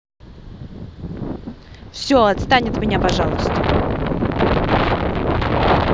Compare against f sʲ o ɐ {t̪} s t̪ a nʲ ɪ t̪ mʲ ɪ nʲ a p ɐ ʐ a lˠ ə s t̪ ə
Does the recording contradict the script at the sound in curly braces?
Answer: no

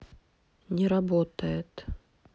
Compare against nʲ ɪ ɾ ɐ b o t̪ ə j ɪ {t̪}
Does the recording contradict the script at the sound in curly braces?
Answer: no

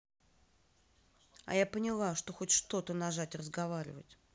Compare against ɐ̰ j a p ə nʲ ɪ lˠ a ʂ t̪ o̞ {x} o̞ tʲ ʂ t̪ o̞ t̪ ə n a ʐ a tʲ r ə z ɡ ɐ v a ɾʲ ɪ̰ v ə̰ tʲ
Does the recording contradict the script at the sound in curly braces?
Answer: no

